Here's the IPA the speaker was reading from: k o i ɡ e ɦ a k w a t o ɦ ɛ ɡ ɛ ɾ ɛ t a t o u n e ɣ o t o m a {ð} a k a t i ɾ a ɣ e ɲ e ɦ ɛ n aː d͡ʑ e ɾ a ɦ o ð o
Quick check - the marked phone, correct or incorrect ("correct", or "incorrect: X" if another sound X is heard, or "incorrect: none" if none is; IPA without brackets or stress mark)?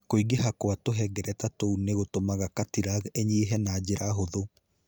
incorrect: ɣ